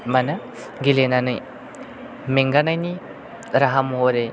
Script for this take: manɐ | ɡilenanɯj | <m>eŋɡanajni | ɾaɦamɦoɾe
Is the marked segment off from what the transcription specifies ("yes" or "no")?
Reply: no